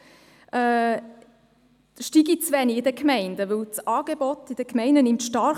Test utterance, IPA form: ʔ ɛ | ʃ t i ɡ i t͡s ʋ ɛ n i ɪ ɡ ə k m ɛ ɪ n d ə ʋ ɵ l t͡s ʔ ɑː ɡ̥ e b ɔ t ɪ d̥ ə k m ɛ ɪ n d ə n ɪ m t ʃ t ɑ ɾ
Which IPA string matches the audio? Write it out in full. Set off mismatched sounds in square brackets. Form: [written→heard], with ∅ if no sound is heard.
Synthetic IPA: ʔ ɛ | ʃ t i ɡ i t͡s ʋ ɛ n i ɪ [ɡ→d] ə k m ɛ ɪ n d ə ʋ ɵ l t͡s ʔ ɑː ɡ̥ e b ɔ t ɪ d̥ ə k m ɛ ɪ n d ə n ɪ m t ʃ t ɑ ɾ